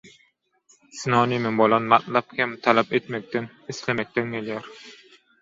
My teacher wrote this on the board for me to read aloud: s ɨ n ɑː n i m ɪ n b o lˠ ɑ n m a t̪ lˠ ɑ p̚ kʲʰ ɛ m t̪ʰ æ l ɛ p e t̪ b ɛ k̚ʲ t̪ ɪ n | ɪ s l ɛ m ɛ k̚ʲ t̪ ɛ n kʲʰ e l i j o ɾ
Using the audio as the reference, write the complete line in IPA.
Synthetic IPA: s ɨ n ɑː n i m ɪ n b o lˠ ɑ n m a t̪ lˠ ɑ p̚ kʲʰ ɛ m t̪ʰ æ l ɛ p e t̪ m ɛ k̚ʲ t̪ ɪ n | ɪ s l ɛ m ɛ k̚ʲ t̪ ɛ n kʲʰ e l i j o ɾ